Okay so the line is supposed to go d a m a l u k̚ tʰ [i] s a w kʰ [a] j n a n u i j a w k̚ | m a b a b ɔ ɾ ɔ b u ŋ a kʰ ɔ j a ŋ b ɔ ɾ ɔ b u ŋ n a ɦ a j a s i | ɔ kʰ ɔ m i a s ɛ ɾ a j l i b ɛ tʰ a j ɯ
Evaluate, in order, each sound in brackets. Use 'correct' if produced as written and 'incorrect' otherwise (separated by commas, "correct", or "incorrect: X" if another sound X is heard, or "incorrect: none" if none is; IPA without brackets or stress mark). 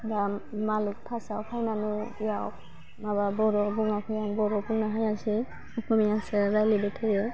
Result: incorrect: a, correct